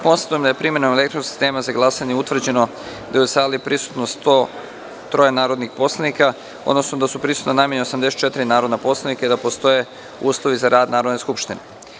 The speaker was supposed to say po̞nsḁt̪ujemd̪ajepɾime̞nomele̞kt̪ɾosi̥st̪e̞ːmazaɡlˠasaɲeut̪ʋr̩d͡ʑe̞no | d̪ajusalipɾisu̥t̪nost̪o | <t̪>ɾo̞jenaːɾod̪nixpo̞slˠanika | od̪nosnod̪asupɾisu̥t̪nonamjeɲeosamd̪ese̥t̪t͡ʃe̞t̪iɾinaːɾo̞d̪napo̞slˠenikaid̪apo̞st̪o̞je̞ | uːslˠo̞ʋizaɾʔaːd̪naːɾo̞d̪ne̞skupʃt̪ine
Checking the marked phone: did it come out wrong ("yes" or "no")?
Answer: no